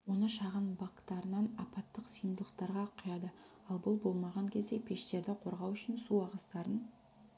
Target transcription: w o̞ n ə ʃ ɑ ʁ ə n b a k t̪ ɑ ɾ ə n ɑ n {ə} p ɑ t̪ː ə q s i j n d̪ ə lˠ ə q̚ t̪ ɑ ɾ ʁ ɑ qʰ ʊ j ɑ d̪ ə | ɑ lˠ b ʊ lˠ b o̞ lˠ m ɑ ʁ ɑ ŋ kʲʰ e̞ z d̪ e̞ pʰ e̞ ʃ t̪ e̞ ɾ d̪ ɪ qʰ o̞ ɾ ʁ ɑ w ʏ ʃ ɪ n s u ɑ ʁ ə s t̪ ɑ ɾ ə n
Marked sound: incorrect: ɑ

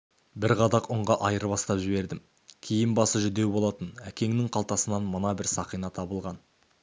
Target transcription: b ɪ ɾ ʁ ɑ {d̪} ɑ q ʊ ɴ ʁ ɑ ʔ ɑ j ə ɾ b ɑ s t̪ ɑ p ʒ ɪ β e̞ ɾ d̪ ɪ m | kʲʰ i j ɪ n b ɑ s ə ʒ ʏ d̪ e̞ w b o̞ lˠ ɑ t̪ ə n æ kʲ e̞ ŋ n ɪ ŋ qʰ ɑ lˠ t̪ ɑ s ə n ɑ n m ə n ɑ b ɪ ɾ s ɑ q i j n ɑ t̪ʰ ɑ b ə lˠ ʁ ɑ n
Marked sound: correct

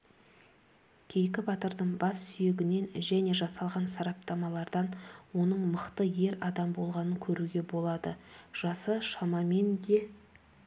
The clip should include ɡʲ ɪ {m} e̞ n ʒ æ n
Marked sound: incorrect: n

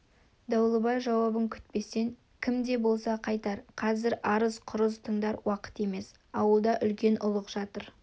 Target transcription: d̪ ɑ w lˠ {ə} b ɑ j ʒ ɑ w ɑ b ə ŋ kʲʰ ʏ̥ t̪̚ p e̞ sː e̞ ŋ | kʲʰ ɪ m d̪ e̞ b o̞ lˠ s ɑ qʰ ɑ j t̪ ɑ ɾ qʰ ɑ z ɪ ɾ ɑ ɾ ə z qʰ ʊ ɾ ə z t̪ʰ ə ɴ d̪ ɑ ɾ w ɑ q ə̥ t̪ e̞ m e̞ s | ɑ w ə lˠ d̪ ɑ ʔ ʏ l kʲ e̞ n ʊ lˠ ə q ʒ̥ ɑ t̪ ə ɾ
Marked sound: correct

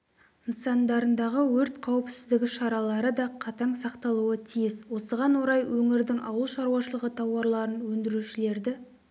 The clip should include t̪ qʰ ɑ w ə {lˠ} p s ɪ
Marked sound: incorrect: none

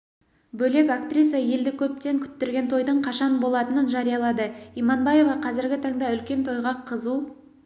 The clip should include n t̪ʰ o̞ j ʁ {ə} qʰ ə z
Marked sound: incorrect: ɑ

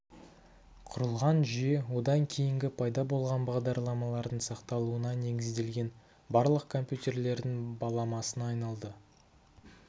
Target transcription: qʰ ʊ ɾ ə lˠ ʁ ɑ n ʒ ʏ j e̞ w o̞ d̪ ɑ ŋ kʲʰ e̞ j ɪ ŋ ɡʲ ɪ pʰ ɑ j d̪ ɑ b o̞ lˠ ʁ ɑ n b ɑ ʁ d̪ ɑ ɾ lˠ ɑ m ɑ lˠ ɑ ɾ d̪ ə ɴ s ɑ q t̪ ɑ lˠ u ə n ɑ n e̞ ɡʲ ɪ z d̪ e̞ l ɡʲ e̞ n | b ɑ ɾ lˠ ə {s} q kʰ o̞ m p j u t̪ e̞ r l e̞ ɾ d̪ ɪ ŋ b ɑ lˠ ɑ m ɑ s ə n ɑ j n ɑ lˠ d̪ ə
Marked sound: incorrect: none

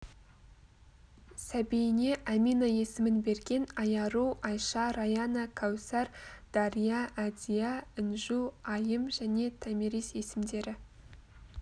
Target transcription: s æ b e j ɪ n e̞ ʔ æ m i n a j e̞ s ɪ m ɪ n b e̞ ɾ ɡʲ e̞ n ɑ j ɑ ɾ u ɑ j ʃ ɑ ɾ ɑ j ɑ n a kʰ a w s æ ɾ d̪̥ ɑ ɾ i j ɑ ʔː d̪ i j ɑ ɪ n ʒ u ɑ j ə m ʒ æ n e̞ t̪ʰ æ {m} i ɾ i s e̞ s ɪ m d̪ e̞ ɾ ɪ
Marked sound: correct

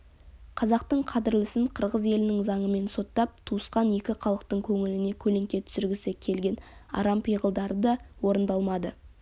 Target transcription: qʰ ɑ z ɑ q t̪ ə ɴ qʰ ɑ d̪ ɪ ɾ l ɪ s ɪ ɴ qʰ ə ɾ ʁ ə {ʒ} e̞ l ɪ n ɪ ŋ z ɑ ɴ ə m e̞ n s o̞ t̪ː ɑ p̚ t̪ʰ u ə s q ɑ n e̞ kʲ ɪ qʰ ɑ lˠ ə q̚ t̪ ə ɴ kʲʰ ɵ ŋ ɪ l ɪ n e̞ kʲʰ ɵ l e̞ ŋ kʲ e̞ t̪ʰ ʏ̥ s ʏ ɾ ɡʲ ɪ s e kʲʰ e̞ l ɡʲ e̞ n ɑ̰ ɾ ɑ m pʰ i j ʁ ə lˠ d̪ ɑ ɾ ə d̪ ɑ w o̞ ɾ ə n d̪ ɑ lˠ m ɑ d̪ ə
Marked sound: incorrect: z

